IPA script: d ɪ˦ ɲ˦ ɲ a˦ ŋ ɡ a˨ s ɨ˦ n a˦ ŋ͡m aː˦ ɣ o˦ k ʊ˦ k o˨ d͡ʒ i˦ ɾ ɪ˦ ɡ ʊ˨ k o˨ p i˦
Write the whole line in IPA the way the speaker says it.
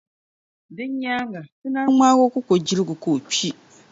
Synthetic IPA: d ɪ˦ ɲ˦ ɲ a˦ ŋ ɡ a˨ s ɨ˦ n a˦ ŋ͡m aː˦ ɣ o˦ k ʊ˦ k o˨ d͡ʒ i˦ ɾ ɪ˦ ɡ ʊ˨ k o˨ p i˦